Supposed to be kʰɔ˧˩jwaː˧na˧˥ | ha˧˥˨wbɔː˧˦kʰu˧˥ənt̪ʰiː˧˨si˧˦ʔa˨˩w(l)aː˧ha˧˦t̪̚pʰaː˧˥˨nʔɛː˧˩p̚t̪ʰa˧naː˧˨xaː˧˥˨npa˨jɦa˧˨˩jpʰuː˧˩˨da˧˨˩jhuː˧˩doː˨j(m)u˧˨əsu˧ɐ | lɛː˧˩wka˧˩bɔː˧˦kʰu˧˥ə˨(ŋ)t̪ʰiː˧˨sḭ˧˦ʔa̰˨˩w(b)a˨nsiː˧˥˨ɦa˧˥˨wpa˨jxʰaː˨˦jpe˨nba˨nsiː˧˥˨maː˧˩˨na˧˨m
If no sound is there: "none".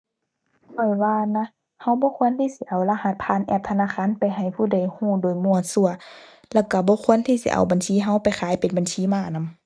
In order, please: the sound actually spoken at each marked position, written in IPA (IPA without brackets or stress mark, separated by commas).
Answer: l, m, n, b